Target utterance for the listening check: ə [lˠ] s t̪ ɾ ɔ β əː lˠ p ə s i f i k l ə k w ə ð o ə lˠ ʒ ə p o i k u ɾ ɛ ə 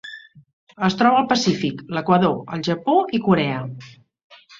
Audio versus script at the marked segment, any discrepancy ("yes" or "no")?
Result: yes